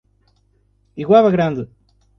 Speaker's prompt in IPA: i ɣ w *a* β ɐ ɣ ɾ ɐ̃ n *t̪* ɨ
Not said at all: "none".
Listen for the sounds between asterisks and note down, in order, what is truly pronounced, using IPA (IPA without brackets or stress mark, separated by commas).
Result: a, d̪